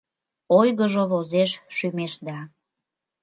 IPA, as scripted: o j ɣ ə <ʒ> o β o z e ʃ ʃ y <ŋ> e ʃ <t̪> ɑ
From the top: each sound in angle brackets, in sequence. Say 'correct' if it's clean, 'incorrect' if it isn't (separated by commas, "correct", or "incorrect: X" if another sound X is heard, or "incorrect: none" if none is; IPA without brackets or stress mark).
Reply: correct, incorrect: m, incorrect: d̪